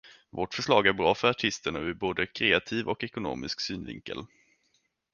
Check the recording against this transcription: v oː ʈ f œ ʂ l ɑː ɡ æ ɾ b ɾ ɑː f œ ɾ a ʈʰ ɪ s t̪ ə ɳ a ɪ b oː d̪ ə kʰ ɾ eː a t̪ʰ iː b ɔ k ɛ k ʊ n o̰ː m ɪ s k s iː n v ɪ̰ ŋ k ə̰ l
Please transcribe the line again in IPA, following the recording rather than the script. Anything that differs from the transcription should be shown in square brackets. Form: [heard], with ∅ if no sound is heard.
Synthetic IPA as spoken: v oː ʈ f œ ʂ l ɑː ɡ æ ɾ b ɾ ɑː f œ ɾ a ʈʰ ɪ s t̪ ə ɳ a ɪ b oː d̪ ə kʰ ɾ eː a t̪ʰ iː [v] ɔ k ɛ k ʊ n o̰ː m ɪ s k s [yː] n v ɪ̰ ŋ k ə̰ l